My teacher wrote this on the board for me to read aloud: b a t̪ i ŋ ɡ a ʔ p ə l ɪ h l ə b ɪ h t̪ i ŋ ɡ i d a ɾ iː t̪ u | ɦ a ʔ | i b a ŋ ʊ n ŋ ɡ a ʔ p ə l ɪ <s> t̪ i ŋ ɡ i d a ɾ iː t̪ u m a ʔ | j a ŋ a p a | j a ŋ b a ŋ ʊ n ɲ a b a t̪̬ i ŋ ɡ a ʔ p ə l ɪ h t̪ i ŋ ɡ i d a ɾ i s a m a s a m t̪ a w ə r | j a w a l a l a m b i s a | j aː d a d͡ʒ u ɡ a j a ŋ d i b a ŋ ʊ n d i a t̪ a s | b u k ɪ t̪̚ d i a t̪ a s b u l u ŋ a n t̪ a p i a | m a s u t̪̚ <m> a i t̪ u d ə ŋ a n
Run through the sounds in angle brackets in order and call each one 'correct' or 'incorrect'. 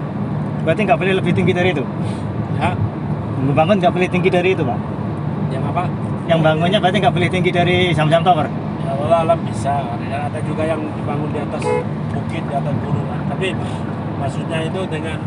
incorrect: h, incorrect: ɲ

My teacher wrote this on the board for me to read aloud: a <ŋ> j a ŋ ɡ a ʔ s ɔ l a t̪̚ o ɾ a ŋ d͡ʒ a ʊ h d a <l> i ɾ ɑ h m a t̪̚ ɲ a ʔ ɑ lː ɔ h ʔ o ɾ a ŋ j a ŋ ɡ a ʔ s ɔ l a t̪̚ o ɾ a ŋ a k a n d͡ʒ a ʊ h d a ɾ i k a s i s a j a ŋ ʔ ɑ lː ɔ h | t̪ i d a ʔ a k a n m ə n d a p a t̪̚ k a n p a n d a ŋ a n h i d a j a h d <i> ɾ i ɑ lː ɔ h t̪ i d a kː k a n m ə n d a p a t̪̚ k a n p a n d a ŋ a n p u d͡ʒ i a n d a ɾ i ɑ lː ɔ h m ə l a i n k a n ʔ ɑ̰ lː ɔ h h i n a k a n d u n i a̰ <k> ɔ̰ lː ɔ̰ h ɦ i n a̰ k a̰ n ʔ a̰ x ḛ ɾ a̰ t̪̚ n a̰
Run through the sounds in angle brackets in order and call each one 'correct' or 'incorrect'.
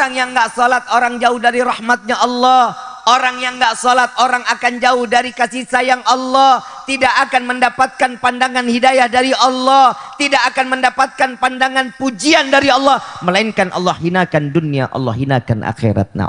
correct, incorrect: ɾ, incorrect: a, incorrect: ʔ

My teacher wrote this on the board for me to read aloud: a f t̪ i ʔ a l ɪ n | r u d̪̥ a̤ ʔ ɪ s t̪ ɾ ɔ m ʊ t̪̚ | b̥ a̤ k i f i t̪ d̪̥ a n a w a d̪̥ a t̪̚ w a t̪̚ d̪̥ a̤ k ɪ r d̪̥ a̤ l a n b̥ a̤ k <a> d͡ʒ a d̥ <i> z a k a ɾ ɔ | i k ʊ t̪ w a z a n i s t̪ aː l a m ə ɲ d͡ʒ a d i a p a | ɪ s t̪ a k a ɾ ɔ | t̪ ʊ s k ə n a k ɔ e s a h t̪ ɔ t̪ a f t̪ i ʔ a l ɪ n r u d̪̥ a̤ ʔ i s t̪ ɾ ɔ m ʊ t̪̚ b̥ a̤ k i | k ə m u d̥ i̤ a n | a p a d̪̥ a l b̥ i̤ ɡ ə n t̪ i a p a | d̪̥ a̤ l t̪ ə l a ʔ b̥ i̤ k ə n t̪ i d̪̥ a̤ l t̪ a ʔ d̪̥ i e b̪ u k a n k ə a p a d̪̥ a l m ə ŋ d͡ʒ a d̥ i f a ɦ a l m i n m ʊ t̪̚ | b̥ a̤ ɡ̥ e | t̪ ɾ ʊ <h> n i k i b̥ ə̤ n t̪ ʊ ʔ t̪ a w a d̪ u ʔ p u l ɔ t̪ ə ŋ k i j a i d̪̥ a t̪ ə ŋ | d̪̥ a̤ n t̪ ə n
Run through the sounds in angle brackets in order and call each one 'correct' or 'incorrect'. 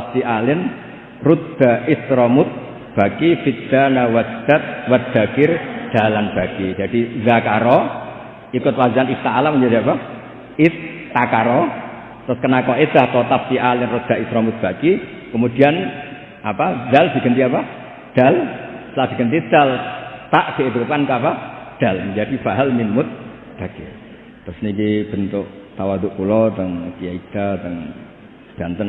incorrect: i, correct, incorrect: s

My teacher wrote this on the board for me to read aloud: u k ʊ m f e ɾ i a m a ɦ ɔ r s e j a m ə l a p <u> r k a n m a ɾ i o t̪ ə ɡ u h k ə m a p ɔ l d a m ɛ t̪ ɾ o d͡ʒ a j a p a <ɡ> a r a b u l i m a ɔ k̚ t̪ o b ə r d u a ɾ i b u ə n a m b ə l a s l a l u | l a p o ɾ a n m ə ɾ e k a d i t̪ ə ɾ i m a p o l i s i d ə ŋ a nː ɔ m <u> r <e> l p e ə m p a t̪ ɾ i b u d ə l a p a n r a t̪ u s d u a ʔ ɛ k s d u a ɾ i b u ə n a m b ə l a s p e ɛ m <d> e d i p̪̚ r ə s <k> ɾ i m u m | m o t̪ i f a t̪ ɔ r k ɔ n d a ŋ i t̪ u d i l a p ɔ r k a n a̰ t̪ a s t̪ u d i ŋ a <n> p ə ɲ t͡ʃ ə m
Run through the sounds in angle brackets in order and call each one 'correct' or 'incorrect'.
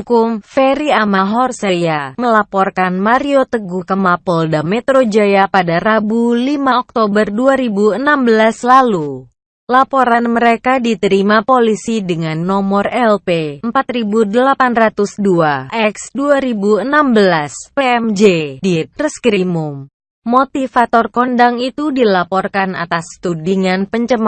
incorrect: ɔ, incorrect: d, incorrect: ɔ, incorrect: ɛ, incorrect: d͡ʒ, correct, correct

